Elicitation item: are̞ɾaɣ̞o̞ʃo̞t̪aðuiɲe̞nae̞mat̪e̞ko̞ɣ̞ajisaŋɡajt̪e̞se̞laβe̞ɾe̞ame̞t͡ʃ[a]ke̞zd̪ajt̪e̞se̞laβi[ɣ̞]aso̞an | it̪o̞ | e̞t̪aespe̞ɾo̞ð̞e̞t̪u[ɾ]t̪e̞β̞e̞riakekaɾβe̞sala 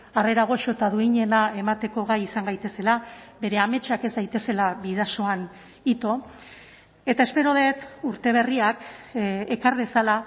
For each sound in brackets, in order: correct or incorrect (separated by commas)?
correct, incorrect, correct